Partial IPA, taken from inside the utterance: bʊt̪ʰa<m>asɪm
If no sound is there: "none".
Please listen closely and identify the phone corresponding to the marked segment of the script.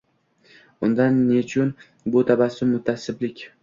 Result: b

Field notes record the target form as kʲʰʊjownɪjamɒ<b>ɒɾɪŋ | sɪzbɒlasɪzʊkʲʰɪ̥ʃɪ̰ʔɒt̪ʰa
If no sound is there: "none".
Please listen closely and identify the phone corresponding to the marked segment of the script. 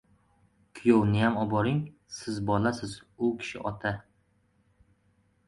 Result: b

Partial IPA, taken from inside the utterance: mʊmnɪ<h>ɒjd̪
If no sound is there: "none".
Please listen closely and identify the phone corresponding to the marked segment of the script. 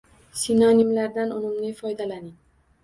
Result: f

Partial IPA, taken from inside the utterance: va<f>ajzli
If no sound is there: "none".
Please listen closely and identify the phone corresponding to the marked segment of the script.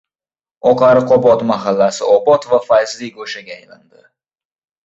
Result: f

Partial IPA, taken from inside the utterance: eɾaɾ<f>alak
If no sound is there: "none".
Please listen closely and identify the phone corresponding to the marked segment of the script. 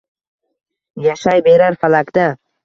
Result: f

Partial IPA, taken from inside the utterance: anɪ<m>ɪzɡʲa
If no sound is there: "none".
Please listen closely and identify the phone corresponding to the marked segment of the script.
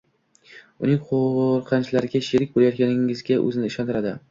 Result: ŋ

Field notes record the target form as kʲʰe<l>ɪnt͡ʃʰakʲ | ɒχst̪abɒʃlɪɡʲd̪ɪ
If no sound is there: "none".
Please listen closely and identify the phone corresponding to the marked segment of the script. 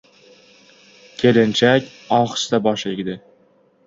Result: l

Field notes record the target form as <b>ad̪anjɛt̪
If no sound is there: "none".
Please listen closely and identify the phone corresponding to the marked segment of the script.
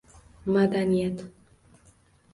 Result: m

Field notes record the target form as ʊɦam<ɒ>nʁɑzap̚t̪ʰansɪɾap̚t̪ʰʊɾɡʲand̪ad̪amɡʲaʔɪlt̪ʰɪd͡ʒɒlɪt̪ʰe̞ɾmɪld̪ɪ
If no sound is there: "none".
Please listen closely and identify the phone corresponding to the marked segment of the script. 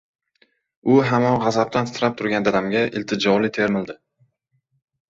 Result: ɒ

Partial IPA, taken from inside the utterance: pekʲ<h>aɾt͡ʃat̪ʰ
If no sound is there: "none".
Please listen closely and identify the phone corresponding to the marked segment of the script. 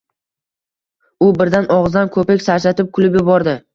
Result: s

